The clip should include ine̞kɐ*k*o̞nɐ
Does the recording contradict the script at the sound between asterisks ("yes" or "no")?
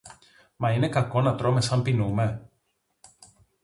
no